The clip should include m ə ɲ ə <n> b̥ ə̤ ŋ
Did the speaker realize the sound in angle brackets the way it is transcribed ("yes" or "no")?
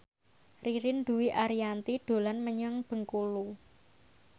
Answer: no